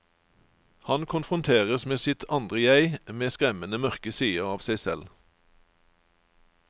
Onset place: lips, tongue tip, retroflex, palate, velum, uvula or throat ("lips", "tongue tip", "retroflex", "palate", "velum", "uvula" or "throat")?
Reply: throat